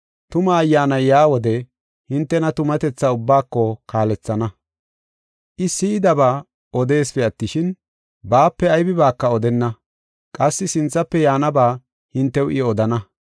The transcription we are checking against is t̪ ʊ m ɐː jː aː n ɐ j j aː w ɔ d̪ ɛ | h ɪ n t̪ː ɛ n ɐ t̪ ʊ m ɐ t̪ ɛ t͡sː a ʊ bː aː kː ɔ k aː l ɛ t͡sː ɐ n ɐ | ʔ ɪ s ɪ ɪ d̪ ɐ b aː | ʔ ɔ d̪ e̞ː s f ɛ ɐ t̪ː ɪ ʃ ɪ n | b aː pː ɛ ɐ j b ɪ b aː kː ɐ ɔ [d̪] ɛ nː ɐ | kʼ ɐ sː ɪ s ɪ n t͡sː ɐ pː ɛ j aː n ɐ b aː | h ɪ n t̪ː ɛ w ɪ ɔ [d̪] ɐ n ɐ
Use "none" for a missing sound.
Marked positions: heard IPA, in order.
d̪, d̪

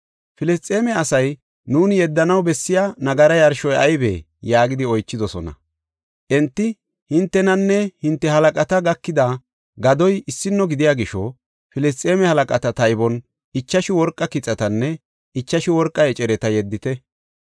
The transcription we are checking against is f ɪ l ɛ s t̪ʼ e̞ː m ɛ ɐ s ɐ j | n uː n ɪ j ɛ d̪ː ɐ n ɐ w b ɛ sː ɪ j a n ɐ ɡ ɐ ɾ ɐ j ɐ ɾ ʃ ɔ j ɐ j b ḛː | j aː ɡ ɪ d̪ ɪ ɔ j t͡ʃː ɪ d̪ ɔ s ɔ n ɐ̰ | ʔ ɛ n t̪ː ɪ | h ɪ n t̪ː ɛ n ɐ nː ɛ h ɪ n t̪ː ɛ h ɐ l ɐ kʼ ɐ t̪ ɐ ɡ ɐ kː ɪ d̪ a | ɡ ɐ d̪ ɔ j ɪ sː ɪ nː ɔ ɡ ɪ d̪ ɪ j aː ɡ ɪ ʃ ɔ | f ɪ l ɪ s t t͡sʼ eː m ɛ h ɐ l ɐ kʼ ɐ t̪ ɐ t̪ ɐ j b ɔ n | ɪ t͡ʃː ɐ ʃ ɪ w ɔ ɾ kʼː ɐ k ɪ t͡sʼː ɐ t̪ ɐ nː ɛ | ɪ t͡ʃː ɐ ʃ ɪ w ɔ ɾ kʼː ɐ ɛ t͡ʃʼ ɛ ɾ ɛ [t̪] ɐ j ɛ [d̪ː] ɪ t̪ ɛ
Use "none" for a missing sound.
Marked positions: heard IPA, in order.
t̪, d̪ː

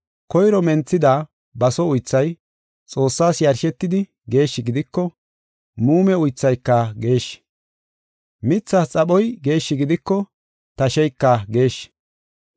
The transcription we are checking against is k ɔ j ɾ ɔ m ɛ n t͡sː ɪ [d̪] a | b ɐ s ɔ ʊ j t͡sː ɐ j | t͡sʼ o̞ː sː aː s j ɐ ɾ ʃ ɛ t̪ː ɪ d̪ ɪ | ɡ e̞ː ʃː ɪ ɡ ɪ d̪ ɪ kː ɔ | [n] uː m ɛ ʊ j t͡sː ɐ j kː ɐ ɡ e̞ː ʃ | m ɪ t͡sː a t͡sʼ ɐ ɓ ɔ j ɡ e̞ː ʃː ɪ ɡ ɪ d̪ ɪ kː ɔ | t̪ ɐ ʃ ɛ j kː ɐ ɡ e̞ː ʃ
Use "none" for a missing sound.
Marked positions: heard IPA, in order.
d̪, m

